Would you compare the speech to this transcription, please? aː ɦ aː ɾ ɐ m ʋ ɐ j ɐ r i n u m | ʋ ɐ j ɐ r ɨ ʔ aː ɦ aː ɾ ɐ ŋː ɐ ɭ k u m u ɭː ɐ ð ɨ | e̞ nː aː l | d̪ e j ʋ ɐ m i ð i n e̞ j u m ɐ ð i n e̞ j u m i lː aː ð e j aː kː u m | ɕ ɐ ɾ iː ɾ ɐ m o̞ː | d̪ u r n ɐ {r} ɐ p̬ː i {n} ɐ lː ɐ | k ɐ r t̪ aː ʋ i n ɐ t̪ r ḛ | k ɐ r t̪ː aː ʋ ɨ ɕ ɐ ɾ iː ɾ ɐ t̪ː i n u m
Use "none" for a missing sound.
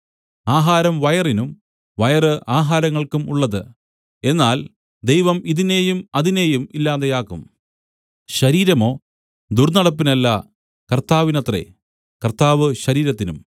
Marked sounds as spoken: ɽ, n

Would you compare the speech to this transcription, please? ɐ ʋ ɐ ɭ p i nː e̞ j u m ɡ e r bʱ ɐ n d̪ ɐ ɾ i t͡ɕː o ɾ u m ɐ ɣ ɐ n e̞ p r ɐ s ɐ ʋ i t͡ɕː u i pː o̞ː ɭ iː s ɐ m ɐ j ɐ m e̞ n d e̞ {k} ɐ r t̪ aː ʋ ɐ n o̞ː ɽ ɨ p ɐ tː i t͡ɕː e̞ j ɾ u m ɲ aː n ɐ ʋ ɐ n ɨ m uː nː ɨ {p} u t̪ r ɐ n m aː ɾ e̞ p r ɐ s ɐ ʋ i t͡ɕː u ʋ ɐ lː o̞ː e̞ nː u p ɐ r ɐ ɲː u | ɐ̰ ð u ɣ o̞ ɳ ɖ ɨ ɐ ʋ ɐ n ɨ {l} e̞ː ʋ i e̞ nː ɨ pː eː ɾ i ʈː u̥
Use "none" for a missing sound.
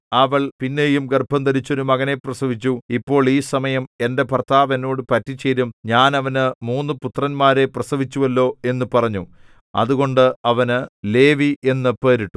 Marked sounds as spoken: p, p, l

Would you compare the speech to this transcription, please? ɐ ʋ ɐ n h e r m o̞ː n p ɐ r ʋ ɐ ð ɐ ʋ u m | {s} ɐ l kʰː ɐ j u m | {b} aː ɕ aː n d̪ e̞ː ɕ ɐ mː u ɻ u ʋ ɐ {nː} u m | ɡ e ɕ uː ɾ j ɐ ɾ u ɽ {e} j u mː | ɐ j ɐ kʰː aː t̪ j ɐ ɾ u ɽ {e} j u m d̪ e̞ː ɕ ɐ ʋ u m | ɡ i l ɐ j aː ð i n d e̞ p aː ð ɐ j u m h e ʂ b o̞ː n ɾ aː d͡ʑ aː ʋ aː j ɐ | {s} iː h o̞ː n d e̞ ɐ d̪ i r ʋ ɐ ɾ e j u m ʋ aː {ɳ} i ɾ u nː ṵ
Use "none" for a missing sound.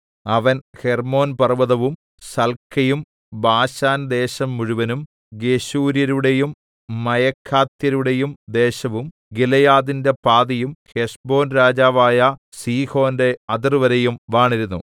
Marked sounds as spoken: s, b, n, e, e, s, ɳ

